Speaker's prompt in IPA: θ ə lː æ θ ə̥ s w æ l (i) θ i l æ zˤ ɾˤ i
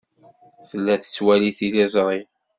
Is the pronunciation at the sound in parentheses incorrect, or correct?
correct